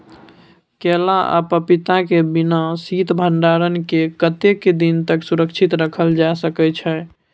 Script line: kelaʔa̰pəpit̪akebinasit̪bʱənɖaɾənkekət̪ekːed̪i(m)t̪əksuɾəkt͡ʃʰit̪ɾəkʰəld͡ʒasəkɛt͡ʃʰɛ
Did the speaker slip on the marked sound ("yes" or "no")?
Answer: yes